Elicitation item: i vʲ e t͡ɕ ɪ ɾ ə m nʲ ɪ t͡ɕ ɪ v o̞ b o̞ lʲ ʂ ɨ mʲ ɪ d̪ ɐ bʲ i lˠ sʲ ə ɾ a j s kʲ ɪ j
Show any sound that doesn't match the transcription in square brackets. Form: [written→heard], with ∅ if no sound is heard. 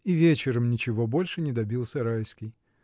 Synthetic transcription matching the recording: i vʲ e t͡ɕ ɪ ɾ ə m nʲ ɪ t͡ɕ ɪ v o̞ b o̞ lʲ ʂ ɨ [mʲ→nʲ] ɪ d̪ ɐ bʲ i lˠ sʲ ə ɾ a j s kʲ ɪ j